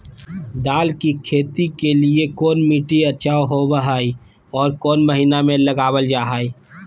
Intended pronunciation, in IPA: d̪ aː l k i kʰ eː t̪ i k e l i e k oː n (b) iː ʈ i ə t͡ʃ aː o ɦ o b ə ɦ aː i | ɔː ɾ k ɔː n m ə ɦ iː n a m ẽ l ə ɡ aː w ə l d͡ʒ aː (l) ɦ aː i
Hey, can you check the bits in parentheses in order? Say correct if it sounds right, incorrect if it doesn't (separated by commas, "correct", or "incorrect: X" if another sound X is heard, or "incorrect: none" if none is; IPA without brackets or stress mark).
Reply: incorrect: m, incorrect: none